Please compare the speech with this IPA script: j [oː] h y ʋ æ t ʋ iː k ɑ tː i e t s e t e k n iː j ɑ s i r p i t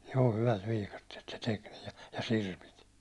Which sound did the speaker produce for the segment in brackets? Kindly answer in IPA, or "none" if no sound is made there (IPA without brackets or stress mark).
oː